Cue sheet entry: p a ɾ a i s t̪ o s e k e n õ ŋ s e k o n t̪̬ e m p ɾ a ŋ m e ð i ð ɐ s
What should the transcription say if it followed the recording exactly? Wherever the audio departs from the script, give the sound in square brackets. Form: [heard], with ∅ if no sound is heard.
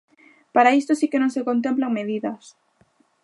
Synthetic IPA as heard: p a ɾ a i s t̪ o s [i] k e n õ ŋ s e k o n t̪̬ e m p [l] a ŋ m e ð i ð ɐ s